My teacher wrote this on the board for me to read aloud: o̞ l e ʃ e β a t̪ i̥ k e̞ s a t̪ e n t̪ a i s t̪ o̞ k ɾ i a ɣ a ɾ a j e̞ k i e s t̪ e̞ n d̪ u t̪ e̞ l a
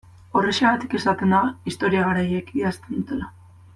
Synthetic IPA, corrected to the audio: o̞ r e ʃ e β a t̪ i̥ k e̞ s a t̪ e n d̪ a i s t̪ o̞ ɾ i a ɣ a ɾ a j e̞ k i a s t̪ e̞ n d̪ u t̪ e̞ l a